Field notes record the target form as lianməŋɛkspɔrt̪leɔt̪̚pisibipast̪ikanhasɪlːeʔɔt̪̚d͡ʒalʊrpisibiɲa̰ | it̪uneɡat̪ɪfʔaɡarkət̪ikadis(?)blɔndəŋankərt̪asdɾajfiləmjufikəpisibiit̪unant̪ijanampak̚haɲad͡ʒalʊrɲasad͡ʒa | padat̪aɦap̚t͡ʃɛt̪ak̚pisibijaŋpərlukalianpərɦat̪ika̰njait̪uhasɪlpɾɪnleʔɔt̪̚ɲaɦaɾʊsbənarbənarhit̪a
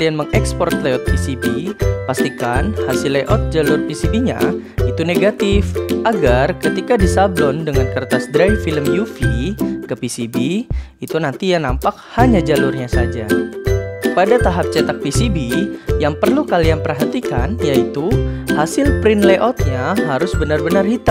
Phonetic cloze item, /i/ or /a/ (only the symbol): a